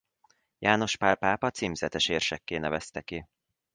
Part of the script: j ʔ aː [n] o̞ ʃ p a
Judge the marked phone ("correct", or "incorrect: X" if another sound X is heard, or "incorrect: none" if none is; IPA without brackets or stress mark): correct